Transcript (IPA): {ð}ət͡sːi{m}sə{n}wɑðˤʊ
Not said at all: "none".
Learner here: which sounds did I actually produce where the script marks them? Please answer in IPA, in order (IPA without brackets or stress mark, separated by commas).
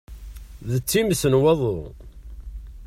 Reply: ð, m, n